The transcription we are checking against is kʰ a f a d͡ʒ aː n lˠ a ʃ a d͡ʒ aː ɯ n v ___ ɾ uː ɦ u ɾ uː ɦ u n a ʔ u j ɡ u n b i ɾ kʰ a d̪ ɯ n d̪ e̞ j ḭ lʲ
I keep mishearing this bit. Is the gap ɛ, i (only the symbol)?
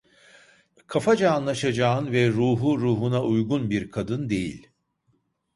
ɛ